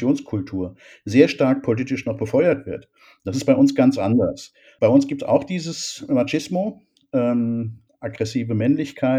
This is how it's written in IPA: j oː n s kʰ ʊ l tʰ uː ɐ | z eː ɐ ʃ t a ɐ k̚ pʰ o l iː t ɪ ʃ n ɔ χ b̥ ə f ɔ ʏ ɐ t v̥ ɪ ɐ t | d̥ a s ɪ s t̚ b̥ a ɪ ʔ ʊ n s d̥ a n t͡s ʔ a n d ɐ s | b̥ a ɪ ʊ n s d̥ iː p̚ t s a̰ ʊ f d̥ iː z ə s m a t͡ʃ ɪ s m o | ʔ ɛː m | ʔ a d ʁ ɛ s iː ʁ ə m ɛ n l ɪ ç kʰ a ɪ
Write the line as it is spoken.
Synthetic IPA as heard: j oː n s kʰ ʊ l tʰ uː ɐ | z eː ɐ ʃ t a ɐ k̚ pʰ o l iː t ɪ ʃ n ɔ χ b̥ ə f ɔ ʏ ɐ t v̥ ɪ ɐ t | d̥ a s ɪ s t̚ b̥ a ɪ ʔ ʊ n s ɡ̥ a n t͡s ʔ a n d ɐ s | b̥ a ɪ ʊ n s ɡ̥ iː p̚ t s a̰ ʊ x d̥ iː z ə s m a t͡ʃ ɪ s m o | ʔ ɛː m | ʔ a ɡ ʁ ɛ s iː v ə m ɛ n l ɪ ç kʰ a ɪ